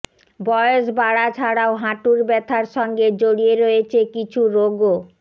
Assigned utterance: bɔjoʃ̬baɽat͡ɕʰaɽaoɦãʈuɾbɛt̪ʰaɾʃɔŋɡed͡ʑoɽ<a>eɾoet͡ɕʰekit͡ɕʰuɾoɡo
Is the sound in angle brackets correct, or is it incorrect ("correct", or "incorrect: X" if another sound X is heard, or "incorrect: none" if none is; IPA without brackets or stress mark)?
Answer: incorrect: i